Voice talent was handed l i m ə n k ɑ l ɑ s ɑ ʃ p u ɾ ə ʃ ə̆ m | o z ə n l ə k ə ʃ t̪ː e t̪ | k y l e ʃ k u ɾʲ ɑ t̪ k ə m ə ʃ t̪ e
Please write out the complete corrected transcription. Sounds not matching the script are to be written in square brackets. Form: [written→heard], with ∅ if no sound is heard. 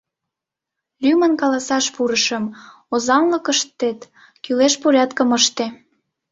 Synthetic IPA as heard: l [i→y] m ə n k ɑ l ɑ s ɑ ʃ p u ɾ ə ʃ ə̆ m | o z [ə→ɑ] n l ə k ə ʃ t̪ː e t̪ | k y l e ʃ [k→p] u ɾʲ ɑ t̪ k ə m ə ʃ t̪ e